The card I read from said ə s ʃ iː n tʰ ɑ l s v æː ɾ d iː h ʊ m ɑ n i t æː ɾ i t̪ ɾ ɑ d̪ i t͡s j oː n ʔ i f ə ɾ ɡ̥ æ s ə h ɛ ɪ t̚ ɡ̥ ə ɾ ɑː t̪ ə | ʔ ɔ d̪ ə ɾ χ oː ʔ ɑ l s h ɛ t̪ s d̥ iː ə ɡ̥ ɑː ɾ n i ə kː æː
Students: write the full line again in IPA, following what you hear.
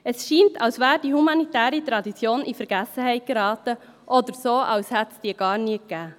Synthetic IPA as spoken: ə s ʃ iː n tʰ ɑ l s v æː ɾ d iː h u m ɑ n i t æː ɾ i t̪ ɾ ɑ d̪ i t͡s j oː n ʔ i f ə ɾ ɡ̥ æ s ə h ɛ ɪ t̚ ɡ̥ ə ɾ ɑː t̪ ə | ʔ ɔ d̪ ə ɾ s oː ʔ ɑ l s h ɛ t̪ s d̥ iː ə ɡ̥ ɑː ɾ n i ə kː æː